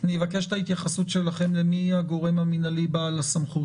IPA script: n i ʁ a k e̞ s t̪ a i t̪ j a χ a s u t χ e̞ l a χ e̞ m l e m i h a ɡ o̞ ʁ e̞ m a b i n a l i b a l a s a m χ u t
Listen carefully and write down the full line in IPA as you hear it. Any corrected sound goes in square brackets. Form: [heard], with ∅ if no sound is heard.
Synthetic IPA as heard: n i [v] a k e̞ [ʃ] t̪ a i t̪ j a χ a s u t [ʃ] e̞ l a χ e̞ m l e m i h a ɡ o̞ ʁ e̞ m a [m] i n a l i b a l a s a m χ u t